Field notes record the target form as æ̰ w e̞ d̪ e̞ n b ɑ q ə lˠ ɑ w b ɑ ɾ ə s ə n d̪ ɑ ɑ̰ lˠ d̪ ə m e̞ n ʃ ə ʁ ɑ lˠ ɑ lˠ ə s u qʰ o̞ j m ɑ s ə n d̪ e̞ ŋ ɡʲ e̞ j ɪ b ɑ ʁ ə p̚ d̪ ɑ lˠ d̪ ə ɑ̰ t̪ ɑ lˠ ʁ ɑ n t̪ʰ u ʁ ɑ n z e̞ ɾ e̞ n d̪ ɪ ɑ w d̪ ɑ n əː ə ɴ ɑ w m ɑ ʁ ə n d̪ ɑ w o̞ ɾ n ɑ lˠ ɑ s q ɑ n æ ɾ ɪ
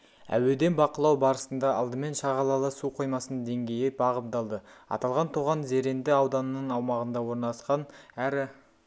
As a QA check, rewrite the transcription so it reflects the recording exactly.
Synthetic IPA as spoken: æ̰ w e̞ d̪ e̞ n b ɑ q ə lˠ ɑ w b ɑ ɾ ə s ə n d̪ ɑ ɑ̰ lˠ d̪ ə m e̞ n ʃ ɑ ʁ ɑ lˠ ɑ lˠ ə s u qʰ o̞ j m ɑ s ə n d̪ e̞ ŋ ɡʲ e̞ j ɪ b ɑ ʁ ə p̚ d̪ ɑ lˠ d̪ ə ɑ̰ t̪ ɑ lˠ ʁ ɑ n t̪ʰ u ʁ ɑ n z e̞ ɾ e̞ n d̪ ɪ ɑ w d̪ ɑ n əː ə ɴ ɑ w m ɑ ʁ ə n d̪ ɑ w o̞ ɾ n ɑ lˠ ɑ s q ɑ n æ ɾ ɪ